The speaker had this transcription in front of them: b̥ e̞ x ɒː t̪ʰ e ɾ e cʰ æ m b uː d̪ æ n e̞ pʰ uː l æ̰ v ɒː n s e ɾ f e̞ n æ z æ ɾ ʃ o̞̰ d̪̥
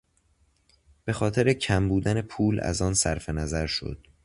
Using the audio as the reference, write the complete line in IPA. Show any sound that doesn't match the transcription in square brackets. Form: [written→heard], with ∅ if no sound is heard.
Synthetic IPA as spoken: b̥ e̞ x ɒː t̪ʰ e ɾ e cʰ æ m b uː d̪ æ n e̞ pʰ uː l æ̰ [v→z] ɒː n s [e→æ] ɾ f e̞ n æ z æ ɾ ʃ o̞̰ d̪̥

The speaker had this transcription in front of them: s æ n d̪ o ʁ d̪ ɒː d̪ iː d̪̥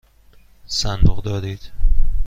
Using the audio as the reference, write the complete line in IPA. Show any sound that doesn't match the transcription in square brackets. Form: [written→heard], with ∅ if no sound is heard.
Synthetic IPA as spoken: s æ n d̪ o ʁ d̪ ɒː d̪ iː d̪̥

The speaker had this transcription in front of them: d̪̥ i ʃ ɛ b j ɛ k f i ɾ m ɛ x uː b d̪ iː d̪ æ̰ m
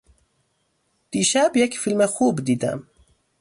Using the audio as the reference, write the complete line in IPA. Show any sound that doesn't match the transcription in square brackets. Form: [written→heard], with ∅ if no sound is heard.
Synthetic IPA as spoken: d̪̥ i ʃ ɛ b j ɛ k f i [ɾ→l] m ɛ x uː b d̪ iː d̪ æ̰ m

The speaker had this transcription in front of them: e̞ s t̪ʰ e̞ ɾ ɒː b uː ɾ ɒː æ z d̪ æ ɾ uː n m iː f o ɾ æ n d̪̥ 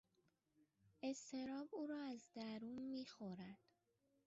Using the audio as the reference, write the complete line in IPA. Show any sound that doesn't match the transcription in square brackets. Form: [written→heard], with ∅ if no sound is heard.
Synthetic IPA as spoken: e̞ s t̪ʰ e̞ ɾ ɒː b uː ɾ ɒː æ z d̪ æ ɾ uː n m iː [f→x] o ɾ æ n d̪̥

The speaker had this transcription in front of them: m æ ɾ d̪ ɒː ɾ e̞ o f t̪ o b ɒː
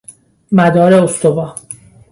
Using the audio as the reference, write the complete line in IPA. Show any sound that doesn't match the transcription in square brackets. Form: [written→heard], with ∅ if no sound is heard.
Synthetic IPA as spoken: m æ [ɾ→∅] d̪ ɒː ɾ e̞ o [f→s] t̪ o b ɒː

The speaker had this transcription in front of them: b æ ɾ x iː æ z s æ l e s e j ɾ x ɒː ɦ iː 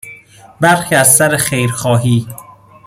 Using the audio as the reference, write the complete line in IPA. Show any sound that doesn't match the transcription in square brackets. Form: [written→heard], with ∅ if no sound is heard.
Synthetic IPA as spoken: b æ ɾ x iː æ z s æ [l→ɾ] e [s→x] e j ɾ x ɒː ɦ iː

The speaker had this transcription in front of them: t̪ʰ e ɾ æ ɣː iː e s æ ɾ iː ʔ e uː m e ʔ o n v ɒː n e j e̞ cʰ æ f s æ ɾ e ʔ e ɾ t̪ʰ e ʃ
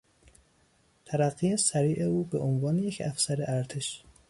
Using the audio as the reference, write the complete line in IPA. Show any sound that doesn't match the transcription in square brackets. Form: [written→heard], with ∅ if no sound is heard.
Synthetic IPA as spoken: t̪ʰ [e→æ] ɾ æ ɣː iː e s æ ɾ iː ʔ e uː [m→b] e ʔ o n v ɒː n e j e̞ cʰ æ f s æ ɾ e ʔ [e→æ] ɾ t̪ʰ e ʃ

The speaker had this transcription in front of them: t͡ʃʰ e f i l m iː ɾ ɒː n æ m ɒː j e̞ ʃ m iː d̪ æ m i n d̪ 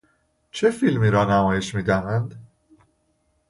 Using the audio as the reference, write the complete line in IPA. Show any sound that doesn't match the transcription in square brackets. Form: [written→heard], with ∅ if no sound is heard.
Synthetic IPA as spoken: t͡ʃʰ e f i l m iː ɾ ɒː n æ m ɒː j e̞ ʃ m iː d̪ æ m [i→æ] n d̪

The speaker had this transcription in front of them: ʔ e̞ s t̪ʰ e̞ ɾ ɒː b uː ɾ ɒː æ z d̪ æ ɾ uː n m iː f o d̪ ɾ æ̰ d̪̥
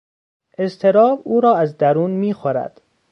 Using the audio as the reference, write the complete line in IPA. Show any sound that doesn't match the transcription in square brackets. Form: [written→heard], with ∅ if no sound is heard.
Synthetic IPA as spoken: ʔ e̞ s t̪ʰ e̞ ɾ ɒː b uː ɾ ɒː æ z d̪ æ ɾ uː n m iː [f→x] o [d̪→∅] ɾ æ̰ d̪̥

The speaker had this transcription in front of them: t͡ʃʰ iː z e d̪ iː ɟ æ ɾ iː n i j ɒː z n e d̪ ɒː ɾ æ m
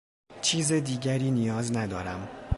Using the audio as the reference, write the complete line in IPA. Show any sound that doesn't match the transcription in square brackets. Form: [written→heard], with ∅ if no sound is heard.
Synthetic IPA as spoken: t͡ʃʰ iː z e d̪ iː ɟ æ ɾ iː n i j ɒː z n [e→æ] d̪ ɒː ɾ æ m

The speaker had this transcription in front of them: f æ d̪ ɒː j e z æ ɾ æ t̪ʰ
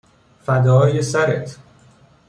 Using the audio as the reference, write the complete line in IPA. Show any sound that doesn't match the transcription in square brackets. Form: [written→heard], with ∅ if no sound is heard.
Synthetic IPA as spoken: f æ d̪ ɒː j e [z→s] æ ɾ [æ→e] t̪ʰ

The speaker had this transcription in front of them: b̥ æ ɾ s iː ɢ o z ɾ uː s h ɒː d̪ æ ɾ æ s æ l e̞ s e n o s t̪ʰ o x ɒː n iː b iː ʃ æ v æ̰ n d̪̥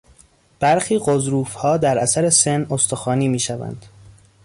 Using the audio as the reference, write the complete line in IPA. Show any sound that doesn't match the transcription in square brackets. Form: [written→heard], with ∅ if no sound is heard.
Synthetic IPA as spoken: b̥ æ ɾ [s→x] iː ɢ o z ɾ uː [s→f] h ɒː d̪ æ ɾ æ s æ [l→ɾ] e̞ s e n o s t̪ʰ o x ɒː n iː [b→m] iː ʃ æ v æ̰ n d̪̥

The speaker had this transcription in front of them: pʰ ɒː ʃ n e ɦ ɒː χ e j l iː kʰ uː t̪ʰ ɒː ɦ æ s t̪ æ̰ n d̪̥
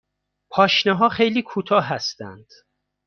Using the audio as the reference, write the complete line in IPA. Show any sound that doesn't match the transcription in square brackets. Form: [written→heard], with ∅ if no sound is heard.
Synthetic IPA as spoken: pʰ ɒː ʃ n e ɦ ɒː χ e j l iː kʰ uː t̪ʰ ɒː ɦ æ s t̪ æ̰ n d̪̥

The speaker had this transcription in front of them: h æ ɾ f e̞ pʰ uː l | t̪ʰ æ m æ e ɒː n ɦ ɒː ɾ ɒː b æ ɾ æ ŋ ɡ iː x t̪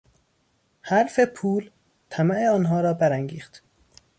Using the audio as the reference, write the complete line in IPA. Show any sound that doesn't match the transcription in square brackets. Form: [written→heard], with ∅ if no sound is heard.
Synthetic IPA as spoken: h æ ɾ f e̞ pʰ uː l | t̪ʰ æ m æ e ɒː n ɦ ɒː ɾ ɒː b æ ɾ æ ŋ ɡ iː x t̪

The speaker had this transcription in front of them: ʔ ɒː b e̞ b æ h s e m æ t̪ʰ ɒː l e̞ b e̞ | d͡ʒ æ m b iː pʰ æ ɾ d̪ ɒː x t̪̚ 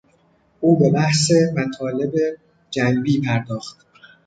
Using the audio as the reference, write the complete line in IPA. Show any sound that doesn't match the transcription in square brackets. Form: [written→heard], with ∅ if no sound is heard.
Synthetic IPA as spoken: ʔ [ɒː→uː] b e̞ b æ h s e m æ t̪ʰ ɒː l e̞ b e̞ | d͡ʒ æ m b iː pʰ æ ɾ d̪ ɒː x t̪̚

